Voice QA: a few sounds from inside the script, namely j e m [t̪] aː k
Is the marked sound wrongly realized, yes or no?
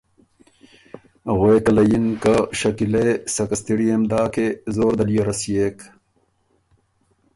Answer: yes